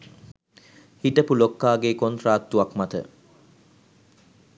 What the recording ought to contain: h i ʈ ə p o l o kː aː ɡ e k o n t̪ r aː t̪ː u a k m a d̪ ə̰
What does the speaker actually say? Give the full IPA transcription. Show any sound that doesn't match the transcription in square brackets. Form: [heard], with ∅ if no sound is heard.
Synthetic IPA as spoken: h i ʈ ə p [u] l o kː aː ɡ e k o n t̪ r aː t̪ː u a k m a [t̪] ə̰